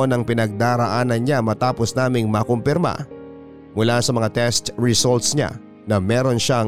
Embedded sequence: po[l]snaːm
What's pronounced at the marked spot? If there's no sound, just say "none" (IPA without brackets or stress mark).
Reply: none